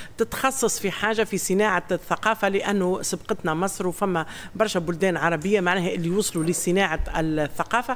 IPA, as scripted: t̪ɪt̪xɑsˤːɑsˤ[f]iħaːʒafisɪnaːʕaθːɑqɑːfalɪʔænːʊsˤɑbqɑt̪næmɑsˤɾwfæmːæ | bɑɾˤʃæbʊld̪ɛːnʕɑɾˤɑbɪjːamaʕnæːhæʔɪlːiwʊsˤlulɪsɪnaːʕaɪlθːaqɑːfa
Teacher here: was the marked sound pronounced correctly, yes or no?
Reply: yes